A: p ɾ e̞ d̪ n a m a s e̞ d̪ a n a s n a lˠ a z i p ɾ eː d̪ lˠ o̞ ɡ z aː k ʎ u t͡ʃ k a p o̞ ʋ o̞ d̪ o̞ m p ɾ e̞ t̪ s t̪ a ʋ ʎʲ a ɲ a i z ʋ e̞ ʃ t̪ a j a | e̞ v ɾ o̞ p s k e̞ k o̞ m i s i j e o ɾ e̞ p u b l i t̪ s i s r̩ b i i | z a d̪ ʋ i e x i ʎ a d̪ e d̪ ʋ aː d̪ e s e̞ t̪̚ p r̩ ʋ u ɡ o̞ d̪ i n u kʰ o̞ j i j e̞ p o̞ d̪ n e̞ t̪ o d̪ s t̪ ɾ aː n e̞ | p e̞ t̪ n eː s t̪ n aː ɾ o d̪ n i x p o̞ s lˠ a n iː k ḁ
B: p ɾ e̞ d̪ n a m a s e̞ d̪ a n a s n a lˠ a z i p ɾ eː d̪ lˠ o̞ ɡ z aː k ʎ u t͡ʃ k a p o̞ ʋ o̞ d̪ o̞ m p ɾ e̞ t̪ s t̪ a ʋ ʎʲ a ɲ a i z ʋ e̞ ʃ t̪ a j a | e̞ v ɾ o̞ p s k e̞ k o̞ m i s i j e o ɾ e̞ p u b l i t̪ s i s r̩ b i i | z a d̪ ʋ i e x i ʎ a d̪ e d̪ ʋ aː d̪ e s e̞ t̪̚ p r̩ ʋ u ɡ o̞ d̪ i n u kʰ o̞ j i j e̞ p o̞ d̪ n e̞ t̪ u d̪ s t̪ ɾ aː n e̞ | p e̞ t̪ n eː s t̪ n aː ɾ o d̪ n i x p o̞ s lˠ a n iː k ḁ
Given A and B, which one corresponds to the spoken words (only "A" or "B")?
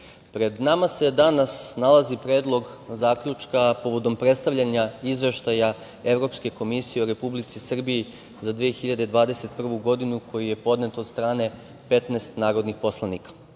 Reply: A